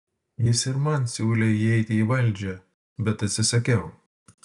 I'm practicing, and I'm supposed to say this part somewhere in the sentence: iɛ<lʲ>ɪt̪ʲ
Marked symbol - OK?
no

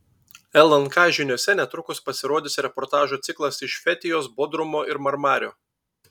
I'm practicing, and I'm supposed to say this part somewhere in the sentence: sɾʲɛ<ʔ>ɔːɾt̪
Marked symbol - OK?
no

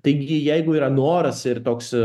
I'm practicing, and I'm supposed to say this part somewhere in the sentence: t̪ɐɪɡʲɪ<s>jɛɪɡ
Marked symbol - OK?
no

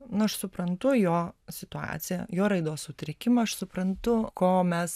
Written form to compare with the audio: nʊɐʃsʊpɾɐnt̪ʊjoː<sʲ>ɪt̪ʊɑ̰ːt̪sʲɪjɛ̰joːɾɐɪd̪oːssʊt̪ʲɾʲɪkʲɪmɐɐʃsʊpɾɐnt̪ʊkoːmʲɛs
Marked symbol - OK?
yes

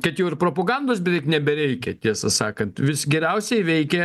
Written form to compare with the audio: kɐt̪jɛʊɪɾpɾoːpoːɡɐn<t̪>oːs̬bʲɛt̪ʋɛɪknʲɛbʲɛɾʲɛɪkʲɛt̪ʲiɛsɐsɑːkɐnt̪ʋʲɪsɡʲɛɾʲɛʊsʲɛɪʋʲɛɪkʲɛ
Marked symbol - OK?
no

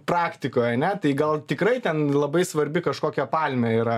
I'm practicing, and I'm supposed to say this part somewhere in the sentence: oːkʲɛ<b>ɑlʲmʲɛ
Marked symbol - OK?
no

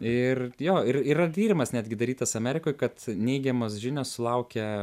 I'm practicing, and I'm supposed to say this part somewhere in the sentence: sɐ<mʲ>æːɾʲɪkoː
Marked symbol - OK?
yes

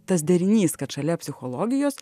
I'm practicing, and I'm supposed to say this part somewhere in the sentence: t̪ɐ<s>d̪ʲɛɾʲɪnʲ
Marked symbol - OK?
yes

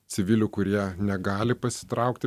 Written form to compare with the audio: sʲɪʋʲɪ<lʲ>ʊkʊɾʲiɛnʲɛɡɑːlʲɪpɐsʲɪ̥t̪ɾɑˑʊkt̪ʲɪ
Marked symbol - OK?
yes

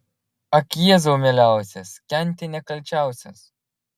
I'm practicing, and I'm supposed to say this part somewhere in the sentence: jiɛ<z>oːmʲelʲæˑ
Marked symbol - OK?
yes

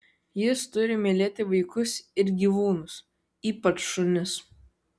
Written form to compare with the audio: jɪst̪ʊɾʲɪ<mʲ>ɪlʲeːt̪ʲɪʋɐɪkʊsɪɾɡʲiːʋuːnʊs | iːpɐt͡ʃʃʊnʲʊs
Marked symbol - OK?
yes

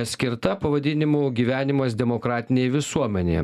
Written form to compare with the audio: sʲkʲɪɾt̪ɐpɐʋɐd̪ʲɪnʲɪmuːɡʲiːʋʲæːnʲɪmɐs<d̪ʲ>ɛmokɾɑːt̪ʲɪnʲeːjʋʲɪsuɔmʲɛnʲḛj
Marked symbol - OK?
yes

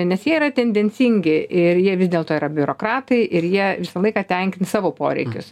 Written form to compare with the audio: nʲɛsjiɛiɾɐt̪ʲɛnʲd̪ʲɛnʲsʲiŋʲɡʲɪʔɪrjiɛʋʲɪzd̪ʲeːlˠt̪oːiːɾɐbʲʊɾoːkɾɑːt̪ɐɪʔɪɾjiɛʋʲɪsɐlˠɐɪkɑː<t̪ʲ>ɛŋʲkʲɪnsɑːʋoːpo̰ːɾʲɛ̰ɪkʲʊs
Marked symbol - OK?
yes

